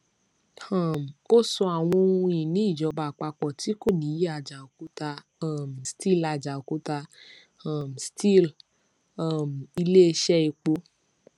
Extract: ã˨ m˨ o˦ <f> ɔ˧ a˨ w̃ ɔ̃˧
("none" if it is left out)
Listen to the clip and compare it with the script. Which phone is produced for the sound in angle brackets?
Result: s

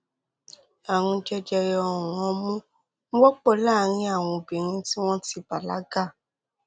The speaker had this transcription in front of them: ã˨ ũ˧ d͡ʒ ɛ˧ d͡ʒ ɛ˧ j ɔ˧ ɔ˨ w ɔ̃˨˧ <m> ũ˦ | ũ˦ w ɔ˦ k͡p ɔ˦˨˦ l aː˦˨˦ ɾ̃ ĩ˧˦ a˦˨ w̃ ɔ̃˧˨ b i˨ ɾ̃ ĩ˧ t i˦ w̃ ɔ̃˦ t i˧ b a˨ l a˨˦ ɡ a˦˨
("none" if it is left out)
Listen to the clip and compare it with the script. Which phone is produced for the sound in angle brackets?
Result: m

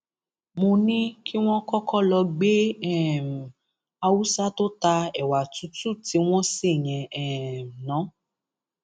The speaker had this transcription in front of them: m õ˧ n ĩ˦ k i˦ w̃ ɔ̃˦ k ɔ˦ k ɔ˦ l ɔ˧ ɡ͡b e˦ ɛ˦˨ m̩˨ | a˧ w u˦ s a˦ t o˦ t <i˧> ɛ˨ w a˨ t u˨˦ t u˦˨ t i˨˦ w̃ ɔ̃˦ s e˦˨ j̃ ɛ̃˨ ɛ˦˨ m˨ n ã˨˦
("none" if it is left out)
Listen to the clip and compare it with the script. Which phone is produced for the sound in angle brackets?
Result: a˧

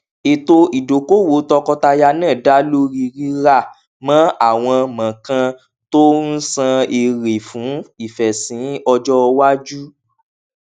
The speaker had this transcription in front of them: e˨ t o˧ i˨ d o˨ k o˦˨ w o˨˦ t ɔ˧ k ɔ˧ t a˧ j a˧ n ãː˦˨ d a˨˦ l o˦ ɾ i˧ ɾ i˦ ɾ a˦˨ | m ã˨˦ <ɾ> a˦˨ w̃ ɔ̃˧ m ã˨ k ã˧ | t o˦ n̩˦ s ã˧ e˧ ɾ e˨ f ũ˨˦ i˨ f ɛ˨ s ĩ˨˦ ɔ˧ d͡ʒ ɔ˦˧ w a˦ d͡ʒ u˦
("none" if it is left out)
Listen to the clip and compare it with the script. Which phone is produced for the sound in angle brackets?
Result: none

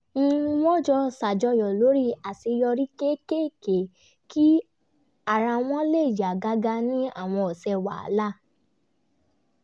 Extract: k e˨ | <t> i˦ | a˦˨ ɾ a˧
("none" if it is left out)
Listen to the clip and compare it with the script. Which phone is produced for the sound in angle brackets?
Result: k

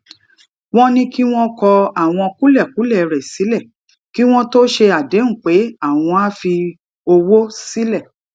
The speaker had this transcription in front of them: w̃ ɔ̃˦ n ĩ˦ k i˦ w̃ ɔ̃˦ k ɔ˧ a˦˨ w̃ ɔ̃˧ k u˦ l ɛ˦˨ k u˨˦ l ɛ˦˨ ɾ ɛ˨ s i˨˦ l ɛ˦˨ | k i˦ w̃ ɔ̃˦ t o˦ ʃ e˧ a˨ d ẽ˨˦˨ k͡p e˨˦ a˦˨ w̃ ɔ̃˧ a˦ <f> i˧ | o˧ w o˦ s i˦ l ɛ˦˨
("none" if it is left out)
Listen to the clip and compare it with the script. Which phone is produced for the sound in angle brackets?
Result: f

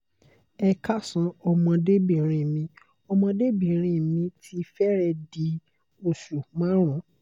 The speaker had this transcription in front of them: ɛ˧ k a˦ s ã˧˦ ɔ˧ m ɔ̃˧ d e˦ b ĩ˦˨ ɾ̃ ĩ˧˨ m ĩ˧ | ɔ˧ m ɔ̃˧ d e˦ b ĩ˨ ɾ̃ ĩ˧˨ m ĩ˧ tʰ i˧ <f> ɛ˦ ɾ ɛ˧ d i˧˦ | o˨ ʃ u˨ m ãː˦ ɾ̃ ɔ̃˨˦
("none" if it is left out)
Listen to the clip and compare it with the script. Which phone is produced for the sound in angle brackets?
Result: f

